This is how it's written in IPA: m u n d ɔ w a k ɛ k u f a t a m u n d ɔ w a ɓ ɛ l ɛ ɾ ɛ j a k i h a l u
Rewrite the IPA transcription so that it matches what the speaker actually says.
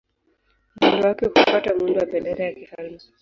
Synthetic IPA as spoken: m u n d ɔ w a k ɛ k u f a t a m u n d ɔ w a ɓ ɛ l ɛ ɾ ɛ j a k i h a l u